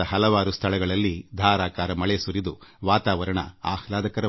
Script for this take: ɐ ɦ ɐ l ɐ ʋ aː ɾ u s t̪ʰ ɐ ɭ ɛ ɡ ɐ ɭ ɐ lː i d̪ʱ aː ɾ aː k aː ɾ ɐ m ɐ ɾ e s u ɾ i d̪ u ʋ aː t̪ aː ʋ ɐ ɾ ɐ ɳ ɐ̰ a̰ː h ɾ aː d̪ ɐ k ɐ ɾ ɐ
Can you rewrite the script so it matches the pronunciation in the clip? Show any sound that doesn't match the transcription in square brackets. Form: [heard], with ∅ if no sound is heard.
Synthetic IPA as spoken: ɐ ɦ ɐ l ɐ ʋ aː ɾ u s t̪ʰ ɐ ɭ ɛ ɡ ɐ ɭ ɐ lː i d̪ʱ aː ɾ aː k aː ɾ ɐ m ɐ [ɭ] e s u ɾ i d̪ u ʋ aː t̪ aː ʋ ɐ ɾ ɐ ɳ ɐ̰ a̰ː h [l] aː d̪ ɐ k ɐ ɾ ɐ